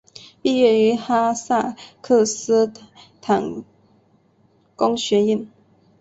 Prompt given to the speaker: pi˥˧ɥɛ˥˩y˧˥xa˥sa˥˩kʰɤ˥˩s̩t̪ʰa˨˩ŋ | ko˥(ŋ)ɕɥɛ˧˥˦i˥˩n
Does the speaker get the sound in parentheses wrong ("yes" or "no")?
no